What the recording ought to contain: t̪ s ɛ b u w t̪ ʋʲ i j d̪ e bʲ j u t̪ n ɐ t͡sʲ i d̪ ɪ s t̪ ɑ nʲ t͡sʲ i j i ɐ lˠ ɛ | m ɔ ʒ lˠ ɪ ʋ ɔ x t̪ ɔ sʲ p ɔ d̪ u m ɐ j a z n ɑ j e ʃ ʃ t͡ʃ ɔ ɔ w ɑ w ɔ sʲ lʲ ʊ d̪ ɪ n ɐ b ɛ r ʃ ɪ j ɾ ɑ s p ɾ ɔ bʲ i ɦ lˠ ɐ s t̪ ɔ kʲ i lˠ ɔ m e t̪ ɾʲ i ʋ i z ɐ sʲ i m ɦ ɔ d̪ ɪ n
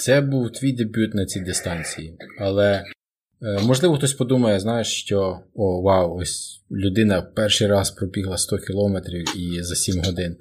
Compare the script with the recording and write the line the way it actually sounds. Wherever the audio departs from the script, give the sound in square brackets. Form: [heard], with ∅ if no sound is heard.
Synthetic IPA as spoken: t̪ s ɛ b u w t̪ ʋʲ i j d̪ e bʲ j u t̪ n ɐ t͡sʲ i d̪ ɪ s t̪ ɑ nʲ t͡sʲ i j i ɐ lˠ ɛ | m ɔ ʒ lˠ ɪ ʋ ɔ x t̪ ɔ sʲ p ɔ d̪ u m ɐ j [ɛ] z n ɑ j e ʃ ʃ t͡ʃ ɔ ɔ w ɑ w ɔ sʲ lʲ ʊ d̪ ɪ n ɐ [p] ɛ r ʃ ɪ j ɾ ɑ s p ɾ ɔ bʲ i ɦ lˠ ɐ s t̪ ɔ kʲ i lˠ ɔ m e t̪ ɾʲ i [w] i z ɐ sʲ i m ɦ ɔ d̪ ɪ n